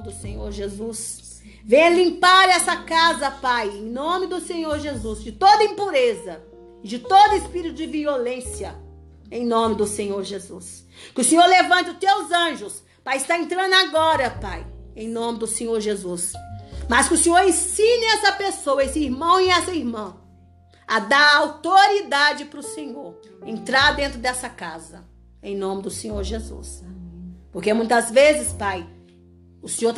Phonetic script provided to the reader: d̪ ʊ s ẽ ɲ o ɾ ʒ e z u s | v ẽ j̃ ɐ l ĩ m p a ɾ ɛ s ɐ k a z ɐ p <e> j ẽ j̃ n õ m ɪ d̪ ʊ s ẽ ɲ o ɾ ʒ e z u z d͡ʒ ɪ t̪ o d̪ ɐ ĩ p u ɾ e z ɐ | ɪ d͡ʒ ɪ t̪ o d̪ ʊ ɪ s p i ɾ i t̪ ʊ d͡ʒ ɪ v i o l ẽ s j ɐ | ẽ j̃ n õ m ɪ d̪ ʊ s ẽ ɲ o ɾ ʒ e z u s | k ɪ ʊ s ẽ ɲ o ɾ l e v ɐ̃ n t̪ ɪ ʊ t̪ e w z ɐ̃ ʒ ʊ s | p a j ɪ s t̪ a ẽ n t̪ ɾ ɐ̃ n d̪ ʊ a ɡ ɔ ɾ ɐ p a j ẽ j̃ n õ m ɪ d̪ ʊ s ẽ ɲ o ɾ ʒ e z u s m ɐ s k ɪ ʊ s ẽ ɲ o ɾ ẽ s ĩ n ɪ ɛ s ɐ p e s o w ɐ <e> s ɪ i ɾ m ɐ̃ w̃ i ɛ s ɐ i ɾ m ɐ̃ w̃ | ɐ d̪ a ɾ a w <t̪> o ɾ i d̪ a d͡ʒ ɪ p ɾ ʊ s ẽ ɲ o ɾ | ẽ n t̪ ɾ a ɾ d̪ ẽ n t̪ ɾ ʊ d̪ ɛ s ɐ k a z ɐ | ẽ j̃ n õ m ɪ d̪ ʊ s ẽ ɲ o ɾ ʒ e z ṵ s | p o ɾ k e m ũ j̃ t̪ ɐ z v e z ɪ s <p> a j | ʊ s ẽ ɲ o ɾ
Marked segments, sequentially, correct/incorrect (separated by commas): incorrect, correct, correct, correct